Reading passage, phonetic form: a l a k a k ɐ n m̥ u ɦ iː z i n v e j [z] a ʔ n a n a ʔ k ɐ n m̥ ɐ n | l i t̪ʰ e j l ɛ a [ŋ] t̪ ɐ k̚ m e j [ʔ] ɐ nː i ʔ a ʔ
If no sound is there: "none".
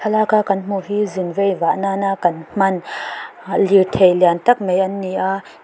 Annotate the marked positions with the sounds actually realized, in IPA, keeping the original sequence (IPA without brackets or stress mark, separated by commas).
v, n, ʔ